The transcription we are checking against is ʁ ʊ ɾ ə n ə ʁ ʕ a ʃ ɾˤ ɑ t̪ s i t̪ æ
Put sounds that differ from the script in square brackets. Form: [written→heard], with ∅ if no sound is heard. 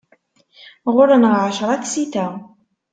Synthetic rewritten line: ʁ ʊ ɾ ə n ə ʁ ʕ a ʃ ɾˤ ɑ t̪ s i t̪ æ